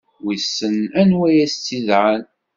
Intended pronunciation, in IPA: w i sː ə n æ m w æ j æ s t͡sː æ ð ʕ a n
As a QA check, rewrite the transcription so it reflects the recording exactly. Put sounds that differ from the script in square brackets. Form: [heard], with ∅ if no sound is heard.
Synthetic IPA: w i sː ə n æ [n] w æ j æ s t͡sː [i] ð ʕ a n